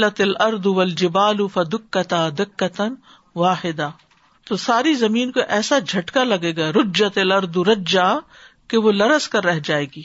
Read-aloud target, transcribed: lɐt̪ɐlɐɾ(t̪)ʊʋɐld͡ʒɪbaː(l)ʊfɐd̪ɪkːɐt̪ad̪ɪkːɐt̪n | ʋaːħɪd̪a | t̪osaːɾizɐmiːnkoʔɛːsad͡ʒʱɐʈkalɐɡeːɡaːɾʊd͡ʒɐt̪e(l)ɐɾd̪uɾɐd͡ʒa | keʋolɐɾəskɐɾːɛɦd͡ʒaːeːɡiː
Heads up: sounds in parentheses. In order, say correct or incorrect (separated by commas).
incorrect, correct, correct